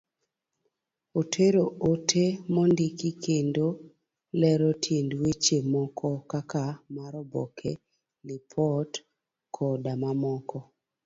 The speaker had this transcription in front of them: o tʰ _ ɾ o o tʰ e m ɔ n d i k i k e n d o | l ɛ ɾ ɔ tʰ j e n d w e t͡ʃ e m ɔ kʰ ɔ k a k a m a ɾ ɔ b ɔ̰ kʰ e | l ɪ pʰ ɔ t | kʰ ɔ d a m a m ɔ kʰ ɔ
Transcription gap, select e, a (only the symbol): e